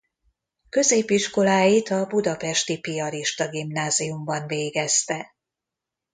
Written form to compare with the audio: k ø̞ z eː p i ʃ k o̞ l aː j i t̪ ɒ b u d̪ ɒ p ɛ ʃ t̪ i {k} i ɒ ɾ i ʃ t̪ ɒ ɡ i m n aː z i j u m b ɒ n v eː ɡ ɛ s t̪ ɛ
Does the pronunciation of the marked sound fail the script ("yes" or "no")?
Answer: yes